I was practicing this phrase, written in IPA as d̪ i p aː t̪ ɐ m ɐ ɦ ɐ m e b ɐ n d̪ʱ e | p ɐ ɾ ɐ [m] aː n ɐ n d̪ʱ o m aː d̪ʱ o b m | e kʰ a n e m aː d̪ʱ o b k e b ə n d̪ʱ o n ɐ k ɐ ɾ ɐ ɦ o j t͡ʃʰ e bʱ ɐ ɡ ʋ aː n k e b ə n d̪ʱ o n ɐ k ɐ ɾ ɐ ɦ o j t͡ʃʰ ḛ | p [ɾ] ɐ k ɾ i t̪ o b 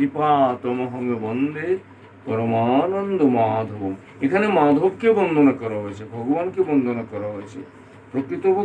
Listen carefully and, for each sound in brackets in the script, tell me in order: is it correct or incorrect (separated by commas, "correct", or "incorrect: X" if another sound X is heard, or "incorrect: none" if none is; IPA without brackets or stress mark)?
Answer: correct, correct